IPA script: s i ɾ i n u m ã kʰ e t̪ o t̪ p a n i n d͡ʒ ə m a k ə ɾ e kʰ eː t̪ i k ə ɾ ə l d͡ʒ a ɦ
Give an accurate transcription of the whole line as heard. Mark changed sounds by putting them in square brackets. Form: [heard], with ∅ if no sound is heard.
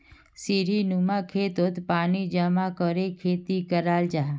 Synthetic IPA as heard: s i ɾ i n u m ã kʰ e t̪ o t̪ p a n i [∅] d͡ʒ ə m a k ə ɾ e kʰ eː t̪ i k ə ɾ [a] l d͡ʒ a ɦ